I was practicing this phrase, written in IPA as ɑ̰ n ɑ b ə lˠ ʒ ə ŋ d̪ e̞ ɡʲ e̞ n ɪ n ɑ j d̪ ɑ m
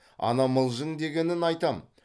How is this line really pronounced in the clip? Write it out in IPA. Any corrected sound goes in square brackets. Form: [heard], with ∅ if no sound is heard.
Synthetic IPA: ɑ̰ n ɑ [m] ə lˠ ʒ ə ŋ d̪ e̞ ɡʲ e̞ n ɪ n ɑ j [t̪] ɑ m